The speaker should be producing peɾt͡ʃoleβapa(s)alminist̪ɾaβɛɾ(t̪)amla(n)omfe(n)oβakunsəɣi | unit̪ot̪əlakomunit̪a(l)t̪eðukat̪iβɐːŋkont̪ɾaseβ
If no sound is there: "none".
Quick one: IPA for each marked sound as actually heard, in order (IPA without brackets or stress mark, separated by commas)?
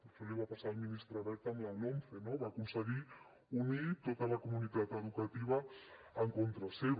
s, t̪, n, n, none